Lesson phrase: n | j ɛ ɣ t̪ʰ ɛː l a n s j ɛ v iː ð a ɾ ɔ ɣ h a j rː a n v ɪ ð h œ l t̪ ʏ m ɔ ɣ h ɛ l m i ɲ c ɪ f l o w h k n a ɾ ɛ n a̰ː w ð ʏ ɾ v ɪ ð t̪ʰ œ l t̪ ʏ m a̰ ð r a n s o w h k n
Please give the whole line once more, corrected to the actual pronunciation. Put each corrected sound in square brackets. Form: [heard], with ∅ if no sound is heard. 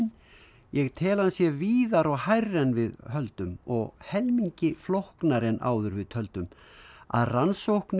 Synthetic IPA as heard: n | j ɛ ɣ t̪ʰ ɛː l a n s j ɛ v iː ð a ɾ ɔ ɣ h a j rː [ɛ] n v ɪ ð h œ l t̪ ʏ m ɔ ɣ h ɛ l m i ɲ c ɪ f l o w h k n a ɾ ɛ n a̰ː w ð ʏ ɾ v ɪ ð t̪ʰ œ l t̪ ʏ m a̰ ð r a n s o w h k n